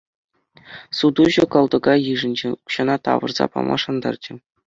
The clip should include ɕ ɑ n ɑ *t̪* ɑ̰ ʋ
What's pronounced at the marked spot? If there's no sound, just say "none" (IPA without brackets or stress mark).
t̪